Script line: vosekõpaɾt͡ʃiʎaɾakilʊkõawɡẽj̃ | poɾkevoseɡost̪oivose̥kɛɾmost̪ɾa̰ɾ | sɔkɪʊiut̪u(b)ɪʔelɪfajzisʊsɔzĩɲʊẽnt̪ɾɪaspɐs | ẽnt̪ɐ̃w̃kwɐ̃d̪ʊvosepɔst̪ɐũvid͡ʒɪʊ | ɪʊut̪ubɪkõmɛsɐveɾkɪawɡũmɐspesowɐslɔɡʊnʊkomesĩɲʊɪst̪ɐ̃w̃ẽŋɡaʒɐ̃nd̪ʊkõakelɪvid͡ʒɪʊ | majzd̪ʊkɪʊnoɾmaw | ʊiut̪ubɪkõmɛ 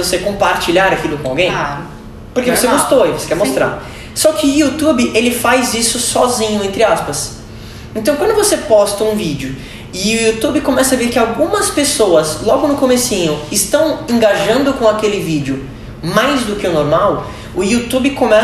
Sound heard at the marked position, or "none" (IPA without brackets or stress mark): b